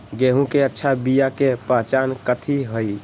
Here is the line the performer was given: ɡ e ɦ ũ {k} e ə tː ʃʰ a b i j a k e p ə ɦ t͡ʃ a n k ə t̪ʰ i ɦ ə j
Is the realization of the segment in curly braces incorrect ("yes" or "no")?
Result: no